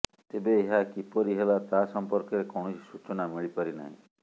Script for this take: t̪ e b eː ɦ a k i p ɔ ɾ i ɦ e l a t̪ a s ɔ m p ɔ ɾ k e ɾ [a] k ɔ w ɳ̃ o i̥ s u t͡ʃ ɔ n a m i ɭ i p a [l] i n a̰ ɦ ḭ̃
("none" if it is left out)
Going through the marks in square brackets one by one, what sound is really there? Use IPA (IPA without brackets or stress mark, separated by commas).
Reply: e, ɾ